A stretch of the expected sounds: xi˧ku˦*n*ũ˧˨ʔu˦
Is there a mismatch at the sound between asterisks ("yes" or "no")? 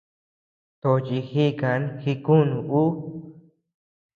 no